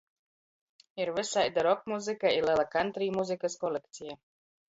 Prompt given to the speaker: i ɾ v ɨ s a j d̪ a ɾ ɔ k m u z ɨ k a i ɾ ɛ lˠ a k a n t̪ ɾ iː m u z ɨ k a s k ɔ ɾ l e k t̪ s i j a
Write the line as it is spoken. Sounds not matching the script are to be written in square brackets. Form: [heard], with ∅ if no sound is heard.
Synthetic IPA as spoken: i ɾ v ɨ s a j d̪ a ɾ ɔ k m u z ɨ k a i [l] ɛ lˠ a k a n t̪ ɾ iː m u z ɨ k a s k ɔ [∅] l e k t̪ s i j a